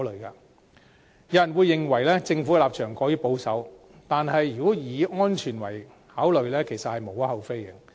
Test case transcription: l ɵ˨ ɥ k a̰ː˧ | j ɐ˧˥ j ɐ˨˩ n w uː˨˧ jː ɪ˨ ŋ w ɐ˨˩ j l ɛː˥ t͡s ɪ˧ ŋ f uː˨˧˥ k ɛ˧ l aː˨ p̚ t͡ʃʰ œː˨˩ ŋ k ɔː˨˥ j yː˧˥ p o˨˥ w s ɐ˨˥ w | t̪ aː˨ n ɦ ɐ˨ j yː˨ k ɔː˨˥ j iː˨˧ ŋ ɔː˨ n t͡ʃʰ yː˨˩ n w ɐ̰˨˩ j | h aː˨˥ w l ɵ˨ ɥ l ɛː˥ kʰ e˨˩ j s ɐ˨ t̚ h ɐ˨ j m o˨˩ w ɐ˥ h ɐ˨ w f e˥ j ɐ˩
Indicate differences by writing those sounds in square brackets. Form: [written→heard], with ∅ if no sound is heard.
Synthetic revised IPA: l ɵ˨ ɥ k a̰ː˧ | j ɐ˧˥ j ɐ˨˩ n w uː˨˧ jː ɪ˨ ŋ w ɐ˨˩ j l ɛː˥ t͡s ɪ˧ ŋ f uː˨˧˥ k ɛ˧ l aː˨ p̚ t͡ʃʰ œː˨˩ ŋ k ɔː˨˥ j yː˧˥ p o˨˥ w s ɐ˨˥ w | t̪ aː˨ n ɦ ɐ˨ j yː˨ k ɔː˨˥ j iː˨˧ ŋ [ɔː˨→ɔː˥] n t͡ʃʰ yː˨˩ n w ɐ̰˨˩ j | h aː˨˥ w l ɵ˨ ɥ l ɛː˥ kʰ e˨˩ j s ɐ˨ t̚ h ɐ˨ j m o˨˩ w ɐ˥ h ɐ˨ w f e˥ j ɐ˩